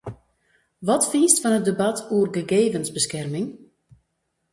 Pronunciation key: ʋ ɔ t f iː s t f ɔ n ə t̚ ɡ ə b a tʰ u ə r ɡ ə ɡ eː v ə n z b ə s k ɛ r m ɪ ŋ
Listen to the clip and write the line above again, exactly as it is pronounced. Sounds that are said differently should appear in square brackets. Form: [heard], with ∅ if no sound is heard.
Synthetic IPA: ʋ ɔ t f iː s t f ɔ n ə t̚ [d] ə b a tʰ u ə r ɡ ə ɡ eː v ə n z b ə s k ɛ r m ɪ ŋ